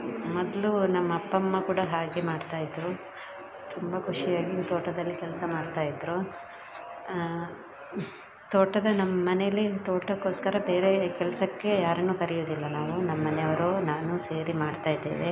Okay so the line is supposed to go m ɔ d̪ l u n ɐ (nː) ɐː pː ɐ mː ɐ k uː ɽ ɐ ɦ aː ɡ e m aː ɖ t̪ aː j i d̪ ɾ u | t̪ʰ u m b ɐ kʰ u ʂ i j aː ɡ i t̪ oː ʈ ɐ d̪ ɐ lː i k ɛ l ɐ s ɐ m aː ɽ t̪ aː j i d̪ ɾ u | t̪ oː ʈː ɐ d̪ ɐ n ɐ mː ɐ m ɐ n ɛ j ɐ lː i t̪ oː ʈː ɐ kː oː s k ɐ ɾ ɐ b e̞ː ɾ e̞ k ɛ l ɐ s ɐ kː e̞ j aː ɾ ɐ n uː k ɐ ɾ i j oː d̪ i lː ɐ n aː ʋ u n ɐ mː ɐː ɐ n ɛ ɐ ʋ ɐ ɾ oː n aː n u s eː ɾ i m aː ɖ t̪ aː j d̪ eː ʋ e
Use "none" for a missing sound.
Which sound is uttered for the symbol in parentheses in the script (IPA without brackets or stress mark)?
mː